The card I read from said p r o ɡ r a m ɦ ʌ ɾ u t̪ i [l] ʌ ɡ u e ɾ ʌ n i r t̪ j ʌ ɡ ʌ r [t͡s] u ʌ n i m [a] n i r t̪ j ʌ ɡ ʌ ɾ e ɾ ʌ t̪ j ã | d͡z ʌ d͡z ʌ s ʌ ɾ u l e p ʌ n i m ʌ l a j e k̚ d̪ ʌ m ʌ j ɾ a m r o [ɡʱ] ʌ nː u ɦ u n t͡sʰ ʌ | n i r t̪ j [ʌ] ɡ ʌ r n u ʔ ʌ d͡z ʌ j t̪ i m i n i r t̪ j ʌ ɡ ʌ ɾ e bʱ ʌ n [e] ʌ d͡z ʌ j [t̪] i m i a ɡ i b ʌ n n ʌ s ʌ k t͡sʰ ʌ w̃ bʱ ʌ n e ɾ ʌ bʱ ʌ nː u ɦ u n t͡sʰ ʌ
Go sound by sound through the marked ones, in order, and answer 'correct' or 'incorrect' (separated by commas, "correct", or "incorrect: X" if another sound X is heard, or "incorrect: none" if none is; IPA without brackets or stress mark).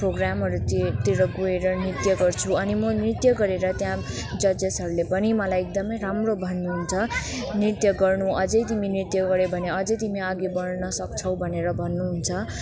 incorrect: ɾ, incorrect: t͡sʰ, incorrect: ʌ, incorrect: bʱ, correct, correct, correct